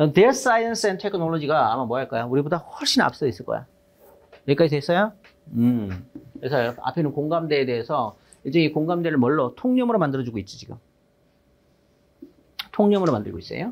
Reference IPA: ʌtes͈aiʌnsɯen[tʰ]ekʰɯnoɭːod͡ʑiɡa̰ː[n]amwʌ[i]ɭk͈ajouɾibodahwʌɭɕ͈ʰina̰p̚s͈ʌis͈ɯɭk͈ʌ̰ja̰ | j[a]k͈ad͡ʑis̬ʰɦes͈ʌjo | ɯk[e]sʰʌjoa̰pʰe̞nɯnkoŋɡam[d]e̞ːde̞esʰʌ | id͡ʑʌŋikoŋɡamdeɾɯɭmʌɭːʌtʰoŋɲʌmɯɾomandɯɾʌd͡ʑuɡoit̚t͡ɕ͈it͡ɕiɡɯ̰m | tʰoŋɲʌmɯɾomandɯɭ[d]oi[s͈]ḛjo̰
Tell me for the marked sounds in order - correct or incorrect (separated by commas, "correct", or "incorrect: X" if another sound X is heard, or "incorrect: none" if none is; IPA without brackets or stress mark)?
correct, incorrect: m, incorrect: a, incorrect: e, correct, correct, incorrect: ɡ, correct